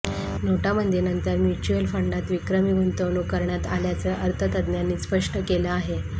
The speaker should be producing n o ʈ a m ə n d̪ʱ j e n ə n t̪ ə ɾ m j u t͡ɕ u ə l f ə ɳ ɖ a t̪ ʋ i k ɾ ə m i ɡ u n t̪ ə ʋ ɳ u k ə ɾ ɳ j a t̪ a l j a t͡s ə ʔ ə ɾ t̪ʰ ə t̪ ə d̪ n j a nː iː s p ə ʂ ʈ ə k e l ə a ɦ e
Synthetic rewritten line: n o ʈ a m ə n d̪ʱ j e n ə n t̪ ə ɾ m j u t͡ɕ u ə l f ə ɳ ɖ a t̪ ʋ i k ɾ ə m i ɡ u n t̪ ə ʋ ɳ u k ə ɾ ɳ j a t̪ a l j a t͡s ə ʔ ə ɾ t̪ʰ ə t̪ ə d̪ n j a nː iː s p ə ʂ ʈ ə k e l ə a ɦ e